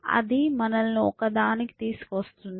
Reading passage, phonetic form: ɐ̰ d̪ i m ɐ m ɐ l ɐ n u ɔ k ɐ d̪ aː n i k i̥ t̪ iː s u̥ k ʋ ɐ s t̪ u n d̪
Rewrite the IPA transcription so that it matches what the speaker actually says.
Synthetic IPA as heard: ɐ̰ d̪ i m ɐ n ɐ l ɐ n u ɔ k ɐ d̪ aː n i k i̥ t̪ iː s u̥ k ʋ ɐ s t̪ u n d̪